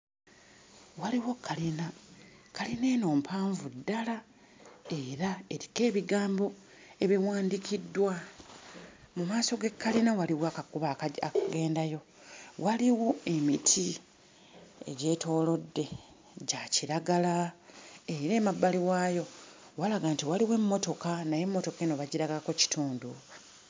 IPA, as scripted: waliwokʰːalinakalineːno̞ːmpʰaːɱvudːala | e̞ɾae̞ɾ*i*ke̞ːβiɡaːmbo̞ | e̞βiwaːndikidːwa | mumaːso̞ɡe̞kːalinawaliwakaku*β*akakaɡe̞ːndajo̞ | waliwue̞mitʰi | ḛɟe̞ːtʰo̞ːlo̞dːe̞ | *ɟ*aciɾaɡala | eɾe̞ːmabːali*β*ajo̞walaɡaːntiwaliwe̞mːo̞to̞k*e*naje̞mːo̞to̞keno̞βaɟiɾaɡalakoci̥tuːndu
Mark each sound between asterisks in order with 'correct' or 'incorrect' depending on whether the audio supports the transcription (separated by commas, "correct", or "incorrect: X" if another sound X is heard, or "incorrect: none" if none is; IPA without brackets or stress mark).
correct, correct, correct, incorrect: w, incorrect: a